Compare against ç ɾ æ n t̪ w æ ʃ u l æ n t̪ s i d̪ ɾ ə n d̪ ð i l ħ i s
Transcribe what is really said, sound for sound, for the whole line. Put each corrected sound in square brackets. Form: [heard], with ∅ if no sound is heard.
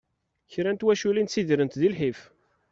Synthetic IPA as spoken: ç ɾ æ n t̪ w æ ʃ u l [i] n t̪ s i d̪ ɾ ə n [t̪] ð i l ħ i [f]